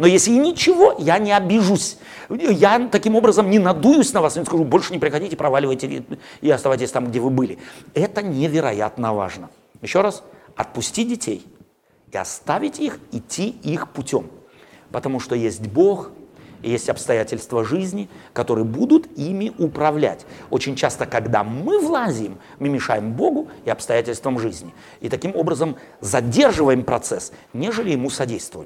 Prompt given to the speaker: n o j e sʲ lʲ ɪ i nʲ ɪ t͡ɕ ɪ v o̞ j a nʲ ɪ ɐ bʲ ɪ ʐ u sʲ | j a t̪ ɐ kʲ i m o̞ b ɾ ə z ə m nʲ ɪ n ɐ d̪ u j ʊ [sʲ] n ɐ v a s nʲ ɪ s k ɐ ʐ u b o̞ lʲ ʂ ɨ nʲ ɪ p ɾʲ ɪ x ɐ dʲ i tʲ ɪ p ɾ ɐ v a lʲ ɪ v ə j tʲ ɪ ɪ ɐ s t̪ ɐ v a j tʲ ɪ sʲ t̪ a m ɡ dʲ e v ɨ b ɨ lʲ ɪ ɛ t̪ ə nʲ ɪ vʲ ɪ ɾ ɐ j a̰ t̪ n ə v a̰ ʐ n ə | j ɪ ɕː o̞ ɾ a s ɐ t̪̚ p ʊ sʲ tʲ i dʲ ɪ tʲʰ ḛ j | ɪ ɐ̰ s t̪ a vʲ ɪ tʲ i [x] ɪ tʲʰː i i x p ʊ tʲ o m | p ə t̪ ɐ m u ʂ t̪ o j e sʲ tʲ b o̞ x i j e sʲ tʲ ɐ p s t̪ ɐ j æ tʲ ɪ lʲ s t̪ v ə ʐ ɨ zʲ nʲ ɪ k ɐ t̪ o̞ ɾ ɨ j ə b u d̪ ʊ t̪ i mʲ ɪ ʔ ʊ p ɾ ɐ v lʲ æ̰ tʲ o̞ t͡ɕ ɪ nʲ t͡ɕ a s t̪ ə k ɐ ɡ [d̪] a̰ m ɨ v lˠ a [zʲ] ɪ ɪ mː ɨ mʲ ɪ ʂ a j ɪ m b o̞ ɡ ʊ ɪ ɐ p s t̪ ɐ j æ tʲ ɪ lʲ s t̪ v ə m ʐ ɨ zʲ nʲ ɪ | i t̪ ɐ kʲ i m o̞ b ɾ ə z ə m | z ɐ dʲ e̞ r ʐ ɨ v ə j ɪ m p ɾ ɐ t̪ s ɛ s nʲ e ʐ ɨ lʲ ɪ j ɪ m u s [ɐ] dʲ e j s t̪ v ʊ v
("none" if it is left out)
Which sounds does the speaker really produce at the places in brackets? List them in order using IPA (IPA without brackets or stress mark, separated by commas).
sʲ, x, d̪, zʲ, ɐ